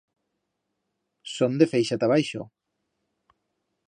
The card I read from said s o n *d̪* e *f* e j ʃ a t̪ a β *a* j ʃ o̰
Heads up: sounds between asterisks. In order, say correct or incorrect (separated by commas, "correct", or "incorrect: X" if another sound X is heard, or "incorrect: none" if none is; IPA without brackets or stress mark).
correct, correct, correct